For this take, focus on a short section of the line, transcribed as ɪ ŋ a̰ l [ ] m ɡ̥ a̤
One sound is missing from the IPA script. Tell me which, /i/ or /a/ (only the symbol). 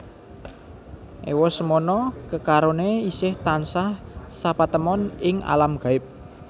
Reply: a